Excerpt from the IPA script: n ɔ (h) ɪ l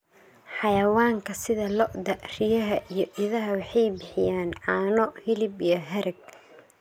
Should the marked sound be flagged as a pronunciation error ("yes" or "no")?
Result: no